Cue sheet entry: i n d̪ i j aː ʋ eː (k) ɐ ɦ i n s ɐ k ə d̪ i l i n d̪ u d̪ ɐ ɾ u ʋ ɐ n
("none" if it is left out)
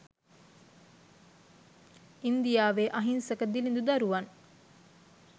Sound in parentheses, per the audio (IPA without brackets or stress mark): ʔ